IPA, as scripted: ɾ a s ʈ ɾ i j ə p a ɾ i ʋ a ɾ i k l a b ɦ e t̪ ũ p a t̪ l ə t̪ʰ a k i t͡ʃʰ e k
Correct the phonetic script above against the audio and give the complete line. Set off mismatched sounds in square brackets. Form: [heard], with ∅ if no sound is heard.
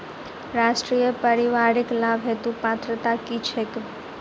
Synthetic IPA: ɾ a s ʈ ɾ i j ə p [ə] ɾ i ʋ a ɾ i k l a b ɦ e t̪ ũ p a t̪ [ɾ] ə [t̪] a k i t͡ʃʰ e k